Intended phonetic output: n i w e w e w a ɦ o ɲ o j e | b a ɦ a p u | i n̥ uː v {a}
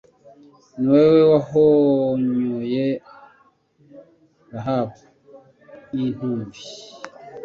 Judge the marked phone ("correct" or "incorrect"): incorrect